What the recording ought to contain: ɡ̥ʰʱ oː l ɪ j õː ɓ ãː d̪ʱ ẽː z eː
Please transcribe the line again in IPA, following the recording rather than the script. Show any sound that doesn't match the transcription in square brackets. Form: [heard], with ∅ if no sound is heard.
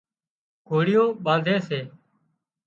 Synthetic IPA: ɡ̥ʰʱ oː [ɽ] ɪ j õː ɓ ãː d̪ʱ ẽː [s] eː